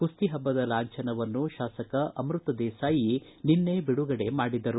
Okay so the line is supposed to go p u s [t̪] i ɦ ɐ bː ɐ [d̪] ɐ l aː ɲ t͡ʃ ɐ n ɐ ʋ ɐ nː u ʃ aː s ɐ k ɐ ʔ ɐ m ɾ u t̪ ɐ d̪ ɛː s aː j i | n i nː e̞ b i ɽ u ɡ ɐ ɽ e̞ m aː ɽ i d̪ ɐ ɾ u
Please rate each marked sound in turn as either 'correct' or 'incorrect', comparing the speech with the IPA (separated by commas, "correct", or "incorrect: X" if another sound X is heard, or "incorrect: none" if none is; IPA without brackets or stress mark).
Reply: correct, correct